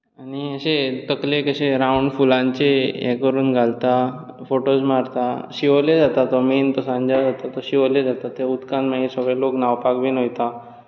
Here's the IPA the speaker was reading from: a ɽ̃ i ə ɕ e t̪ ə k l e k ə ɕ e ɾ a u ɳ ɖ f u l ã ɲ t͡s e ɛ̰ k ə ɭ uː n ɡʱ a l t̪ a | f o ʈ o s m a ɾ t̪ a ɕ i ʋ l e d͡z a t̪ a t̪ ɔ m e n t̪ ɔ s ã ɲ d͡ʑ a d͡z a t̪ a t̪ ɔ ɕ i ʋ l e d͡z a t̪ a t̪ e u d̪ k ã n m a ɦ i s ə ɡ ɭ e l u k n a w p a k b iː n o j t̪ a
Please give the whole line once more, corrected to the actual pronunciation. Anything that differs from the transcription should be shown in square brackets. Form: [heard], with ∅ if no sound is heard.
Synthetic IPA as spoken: a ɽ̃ i ə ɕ e t̪ ə k l e k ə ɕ e ɾ a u ɳ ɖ f u l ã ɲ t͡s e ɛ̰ k ə [ɾ] uː n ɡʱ a l t̪ a | f o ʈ o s m a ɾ t̪ a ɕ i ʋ l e d͡z a t̪ a t̪ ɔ m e n t̪ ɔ s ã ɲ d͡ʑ a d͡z a t̪ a t̪ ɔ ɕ i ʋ l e d͡z a t̪ a t̪ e u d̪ k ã n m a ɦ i s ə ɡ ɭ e l [o] k n a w p a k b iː n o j t̪ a